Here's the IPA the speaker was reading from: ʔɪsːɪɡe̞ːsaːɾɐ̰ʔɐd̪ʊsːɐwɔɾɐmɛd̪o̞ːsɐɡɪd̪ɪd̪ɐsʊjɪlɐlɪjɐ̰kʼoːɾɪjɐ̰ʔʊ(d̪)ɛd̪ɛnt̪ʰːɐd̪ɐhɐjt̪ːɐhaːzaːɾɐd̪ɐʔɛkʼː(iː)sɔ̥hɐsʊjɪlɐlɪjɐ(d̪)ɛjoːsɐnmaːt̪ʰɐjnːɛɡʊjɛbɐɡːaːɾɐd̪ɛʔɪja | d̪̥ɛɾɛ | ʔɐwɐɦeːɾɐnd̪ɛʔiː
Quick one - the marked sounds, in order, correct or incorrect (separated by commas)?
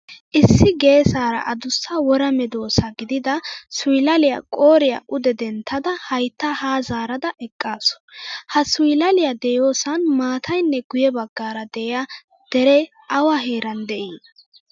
correct, incorrect, correct